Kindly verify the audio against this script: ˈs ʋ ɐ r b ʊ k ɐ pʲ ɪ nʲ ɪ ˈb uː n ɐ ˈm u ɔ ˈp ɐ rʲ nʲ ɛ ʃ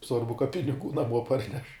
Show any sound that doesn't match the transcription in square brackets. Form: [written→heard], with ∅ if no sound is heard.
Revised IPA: ˈs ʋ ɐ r b ʊ k ɐ pʲ ɪ nʲ ɪ [ˈb→ˈɡ] uː n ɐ ˈm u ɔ ˈp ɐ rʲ nʲ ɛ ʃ